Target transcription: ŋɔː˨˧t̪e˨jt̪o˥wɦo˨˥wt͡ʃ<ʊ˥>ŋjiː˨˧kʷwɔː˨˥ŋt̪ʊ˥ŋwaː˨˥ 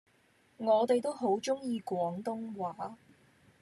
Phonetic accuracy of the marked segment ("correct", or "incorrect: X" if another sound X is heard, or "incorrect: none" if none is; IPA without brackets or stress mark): correct